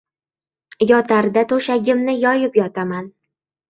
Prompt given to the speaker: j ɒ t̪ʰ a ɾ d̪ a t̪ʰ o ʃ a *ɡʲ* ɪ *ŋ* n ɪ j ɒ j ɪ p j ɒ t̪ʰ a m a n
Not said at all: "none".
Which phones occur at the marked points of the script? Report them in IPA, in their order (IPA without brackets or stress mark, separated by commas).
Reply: ɡʲ, m